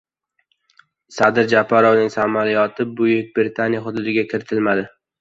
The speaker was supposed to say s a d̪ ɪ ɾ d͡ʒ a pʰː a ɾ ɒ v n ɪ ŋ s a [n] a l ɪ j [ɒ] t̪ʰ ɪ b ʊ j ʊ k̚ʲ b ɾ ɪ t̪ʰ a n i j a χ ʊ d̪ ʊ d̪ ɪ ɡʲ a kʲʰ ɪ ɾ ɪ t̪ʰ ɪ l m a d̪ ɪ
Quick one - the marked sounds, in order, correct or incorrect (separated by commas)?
incorrect, correct